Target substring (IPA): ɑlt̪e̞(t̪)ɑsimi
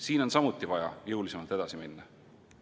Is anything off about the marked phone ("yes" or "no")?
yes